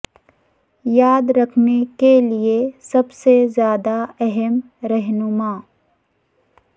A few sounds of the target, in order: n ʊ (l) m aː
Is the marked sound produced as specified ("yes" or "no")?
no